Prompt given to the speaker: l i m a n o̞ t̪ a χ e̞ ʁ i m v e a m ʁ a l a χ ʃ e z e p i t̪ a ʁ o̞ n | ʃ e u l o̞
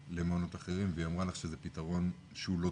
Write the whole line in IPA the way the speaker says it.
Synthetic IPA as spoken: l e m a n o̞ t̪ a χ e̞ ʁ i m v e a m ʁ a l a χ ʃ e z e p i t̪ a ʁ o̞ n | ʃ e u l o̞